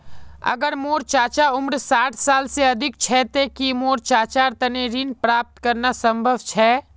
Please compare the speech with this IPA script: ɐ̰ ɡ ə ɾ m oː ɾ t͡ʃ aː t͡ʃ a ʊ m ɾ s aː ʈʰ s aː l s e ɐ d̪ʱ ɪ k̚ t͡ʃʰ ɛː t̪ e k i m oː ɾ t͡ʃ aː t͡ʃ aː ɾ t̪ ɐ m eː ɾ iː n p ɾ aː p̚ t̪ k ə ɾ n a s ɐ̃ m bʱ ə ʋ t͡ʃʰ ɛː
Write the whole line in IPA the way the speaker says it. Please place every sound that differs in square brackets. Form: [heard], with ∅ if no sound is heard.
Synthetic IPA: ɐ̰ ɡ ə ɾ m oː ɾ t͡ʃ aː t͡ʃ a ʊ m ɾ s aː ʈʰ s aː l s e ɐ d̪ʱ ɪ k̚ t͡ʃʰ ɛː t̪ e k i m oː ɾ t͡ʃ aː t͡ʃ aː ɾ t̪ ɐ [n] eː ɾ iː n p ɾ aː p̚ t̪ k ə ɾ n a s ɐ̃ m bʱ ə ʋ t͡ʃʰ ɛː